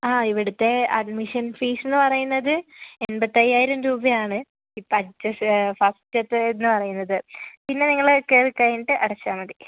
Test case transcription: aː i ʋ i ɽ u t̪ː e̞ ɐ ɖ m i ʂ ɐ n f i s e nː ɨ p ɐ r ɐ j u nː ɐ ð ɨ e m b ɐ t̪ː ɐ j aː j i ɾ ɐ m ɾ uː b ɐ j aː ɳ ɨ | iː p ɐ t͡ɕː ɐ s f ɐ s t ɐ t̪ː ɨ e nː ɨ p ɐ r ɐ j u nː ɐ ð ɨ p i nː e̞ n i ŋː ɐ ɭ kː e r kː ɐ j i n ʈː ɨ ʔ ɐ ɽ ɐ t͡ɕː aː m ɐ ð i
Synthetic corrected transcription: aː i ʋ i ɽ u t̪ː e̞ ɐ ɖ m i ʂ ɐ n f iː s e nː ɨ p ɐ r ɐ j u nː ɐ ð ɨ e n b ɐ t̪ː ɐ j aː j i ɾ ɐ m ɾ uː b ɐ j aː ɳ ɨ | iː p ɐ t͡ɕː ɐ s f ɐ s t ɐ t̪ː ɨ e nː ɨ p ɐ r ɐ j u nː ɐ ð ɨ p i nː e̞ n i ŋː ɐ ɭ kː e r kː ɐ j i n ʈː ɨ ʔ ɐ ɽ ɐ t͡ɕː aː m ɐ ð i

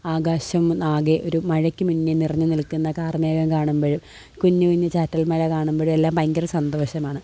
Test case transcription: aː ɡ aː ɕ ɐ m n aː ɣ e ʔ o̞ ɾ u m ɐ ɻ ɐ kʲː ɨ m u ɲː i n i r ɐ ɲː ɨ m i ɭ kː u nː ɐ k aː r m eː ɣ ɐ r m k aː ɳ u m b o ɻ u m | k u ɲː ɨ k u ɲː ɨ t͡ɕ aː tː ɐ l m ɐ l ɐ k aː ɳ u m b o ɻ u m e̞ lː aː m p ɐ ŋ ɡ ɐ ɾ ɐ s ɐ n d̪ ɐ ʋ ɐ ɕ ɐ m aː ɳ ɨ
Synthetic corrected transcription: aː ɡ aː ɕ ɐ m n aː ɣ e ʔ o̞ ɾ u m ɐ ɻ ɐ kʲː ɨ m u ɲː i n i r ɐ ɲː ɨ n i l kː u nː ɐ k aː r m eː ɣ ɐ m k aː ɳ u m b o ɻ u m | k u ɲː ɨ k u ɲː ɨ t͡ɕ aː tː ɐ l m ɐ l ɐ k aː ɳ u m b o ɻ u m e̞ lː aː m p ɐ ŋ ɡ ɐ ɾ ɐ s ɐ n d̪ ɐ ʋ ɐ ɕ ɐ m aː ɳ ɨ

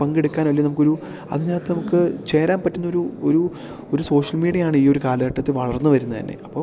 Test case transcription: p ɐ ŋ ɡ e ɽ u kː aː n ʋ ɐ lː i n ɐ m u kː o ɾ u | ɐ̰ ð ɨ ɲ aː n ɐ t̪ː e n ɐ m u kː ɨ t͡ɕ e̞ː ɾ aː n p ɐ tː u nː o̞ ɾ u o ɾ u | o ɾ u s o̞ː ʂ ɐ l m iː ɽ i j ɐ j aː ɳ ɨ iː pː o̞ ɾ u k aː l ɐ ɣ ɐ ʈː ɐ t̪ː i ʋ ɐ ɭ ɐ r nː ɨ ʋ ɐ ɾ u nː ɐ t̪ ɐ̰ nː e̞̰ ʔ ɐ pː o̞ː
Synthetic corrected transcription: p ɐ ŋ ɡ e ɽ u kː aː n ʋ ɐ lː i n ɐ m u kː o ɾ u | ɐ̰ ð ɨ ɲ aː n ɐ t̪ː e n ɐ m u kː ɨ t͡ɕ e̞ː ɾ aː n p ɐ tː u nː o̞ ɾ u o ɾ u | o ɾ u s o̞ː ʂ ɐ l m iː ɽ i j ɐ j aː ɳ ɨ iː o̞ ɾ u k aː l ɐ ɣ ɐ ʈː ɐ t̪ː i ʋ ɐ ɭ ɐ r nː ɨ ʋ ɐ ɾ u nː ɐ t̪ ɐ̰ nː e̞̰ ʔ ɐ pː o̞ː

